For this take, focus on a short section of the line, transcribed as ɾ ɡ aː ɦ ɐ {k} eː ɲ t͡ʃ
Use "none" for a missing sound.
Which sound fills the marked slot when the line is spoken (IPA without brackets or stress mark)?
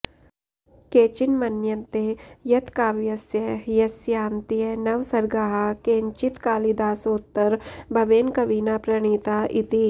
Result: k